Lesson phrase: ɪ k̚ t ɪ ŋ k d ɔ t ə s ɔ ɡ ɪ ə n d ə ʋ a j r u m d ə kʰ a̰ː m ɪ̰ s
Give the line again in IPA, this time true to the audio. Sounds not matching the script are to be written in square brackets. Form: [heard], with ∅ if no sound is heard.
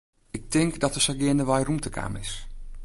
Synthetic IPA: ɪ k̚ t ɪ ŋ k d ɔ t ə s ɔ ɡ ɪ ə n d ə ʋ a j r u m [t] ə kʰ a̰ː m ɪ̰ s